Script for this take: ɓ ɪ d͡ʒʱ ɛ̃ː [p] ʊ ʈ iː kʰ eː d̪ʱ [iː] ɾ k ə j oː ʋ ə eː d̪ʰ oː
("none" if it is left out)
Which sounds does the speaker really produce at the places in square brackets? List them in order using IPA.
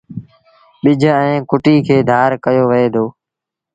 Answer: k, aː

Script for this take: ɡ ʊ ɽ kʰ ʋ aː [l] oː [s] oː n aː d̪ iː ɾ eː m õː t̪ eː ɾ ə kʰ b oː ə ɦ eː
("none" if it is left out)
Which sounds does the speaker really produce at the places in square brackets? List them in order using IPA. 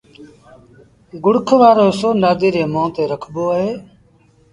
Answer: ɾ, s

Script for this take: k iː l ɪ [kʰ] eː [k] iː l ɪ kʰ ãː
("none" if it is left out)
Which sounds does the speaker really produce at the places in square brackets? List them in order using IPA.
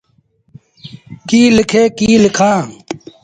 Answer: kʰ, k

